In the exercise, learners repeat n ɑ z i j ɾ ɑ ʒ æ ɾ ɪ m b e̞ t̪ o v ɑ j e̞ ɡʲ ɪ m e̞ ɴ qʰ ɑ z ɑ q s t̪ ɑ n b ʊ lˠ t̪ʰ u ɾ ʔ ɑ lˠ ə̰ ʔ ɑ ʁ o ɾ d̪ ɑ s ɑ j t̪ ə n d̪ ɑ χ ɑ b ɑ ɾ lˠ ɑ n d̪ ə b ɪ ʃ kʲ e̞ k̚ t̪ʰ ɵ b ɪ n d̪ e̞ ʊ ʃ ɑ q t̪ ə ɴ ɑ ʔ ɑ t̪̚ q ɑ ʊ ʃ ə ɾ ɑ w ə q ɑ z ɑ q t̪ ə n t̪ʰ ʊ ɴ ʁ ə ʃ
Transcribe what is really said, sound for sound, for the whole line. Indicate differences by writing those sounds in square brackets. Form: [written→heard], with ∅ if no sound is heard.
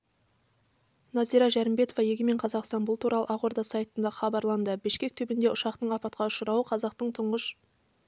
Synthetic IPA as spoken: n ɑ z i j ɾ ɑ ʒ æ ɾ ɪ m b e̞ t̪ o v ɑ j e̞ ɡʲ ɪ m e̞ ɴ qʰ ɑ z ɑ q s t̪ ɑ n b ʊ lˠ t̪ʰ u ɾ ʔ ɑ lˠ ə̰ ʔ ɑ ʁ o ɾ d̪ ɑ s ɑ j t̪ ə n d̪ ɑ χ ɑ b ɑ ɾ lˠ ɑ n d̪ ə b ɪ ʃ kʲ e̞ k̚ t̪ʰ ɵ b ɪ n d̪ e̞ ʊ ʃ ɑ q t̪ ə ɴ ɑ [ʔ→p] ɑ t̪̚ q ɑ ʊ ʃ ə ɾ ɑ w ə [q→qʰ] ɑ z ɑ q t̪ ə [n→ɴ] t̪ʰ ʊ ɴ ʁ ə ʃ